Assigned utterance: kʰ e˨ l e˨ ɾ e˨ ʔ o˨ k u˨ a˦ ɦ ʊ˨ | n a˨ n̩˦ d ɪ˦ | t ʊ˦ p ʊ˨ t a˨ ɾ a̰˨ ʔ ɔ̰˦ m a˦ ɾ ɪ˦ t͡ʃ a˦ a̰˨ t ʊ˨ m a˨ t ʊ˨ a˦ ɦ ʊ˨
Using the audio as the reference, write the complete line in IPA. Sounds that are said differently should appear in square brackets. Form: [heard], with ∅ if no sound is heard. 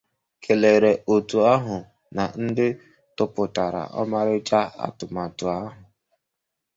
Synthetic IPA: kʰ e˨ l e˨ ɾ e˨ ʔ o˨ [t] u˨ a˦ ɦ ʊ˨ | n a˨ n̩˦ d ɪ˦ | t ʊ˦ p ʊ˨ t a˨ ɾ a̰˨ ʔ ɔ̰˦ m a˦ ɾ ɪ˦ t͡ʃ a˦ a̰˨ t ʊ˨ m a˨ t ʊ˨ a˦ ɦ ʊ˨

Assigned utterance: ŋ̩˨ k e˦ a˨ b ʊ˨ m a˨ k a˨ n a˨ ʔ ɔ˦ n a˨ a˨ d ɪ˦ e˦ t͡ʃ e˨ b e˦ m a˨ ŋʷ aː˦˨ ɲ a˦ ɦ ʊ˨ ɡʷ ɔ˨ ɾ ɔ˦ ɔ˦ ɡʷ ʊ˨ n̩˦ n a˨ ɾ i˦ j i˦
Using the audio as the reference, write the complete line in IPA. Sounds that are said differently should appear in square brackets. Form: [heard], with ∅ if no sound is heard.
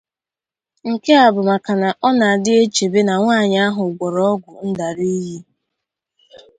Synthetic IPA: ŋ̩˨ k e˦ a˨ b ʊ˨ m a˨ k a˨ n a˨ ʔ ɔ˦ n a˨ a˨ d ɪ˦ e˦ t͡ʃ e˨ b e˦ [n] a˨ ŋʷ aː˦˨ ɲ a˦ ɦ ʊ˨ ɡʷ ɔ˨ ɾ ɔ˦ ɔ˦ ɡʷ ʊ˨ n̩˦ [d] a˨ ɾ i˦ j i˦

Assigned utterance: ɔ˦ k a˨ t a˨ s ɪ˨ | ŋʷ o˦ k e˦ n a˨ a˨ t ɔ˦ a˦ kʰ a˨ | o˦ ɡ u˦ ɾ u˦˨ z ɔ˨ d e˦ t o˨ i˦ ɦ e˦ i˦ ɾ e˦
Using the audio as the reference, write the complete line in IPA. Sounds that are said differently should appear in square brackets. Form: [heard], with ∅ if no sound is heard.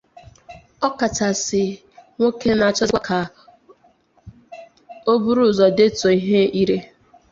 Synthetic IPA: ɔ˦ k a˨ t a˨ s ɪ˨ | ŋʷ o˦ k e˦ n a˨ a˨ [t͡ʃ] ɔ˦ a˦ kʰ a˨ | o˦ [b] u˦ ɾ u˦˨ z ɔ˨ d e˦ t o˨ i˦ ɦ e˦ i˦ ɾ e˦

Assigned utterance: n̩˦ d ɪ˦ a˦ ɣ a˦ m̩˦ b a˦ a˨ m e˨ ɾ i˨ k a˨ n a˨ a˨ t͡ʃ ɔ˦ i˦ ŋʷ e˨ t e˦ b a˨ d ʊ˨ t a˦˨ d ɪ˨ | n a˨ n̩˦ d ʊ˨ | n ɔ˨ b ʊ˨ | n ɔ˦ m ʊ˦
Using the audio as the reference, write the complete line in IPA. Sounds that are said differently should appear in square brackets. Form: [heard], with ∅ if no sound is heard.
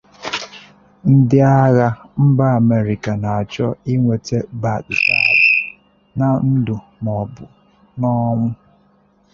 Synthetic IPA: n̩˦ d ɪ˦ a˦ ɣ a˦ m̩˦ b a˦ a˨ m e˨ ɾ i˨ k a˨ n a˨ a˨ t͡ʃ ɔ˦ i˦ ŋʷ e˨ t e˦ b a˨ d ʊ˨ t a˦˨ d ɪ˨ | n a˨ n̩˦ d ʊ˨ | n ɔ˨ b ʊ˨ | n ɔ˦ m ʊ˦

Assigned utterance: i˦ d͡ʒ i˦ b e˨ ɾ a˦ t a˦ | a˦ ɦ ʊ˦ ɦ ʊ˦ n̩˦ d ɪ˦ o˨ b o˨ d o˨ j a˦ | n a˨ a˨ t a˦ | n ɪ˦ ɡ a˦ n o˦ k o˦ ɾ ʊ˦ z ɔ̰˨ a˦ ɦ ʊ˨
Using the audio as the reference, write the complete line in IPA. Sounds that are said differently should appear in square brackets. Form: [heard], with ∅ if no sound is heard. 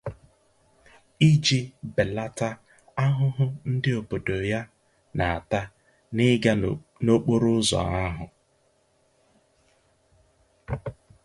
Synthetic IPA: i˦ d͡ʒ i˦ b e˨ [l] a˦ t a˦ | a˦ ɦ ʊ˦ ɦ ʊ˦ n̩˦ d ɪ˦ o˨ b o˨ d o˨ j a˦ | n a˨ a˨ t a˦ | n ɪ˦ ɡ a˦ n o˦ [k͡p] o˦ ɾ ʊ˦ z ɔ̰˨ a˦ ɦ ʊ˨

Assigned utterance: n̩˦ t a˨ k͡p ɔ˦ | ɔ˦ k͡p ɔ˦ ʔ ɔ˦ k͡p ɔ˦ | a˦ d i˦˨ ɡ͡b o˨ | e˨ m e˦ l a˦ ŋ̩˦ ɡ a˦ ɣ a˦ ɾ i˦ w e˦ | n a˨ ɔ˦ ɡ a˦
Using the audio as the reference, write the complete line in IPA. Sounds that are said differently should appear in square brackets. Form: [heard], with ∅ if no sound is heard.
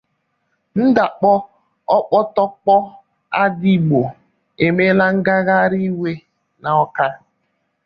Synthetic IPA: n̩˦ [d] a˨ k͡p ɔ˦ | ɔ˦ k͡p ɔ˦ [t] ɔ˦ k͡p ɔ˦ | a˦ d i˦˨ ɡ͡b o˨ | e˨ m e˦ l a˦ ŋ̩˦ ɡ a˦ ɣ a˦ ɾ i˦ w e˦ | n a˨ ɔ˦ [k] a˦

